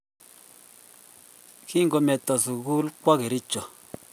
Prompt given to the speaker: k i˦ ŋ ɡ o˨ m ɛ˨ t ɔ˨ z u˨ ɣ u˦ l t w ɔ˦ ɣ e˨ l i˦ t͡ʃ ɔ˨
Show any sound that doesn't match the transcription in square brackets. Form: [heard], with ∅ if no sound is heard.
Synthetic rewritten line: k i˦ ŋ ɡ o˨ m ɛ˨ t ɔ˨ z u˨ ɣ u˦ l [k] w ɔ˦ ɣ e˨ [ɾ] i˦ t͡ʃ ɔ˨